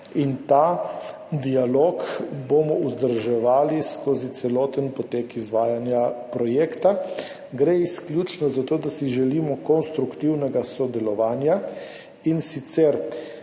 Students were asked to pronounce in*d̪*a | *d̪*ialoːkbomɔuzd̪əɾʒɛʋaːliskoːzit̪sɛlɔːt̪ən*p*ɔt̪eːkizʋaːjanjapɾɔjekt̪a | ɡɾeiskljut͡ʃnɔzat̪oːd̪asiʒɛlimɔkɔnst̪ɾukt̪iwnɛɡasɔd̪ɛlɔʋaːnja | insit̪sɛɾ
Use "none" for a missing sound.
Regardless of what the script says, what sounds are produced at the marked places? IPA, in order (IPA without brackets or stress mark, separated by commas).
t̪, d̪, p